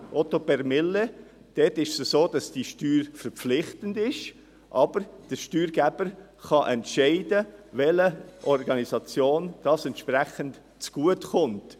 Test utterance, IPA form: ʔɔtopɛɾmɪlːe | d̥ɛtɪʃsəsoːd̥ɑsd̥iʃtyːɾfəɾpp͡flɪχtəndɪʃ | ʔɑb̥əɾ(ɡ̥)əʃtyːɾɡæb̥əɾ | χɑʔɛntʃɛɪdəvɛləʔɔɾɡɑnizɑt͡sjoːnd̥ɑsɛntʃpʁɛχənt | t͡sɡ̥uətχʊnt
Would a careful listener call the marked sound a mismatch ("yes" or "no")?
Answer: yes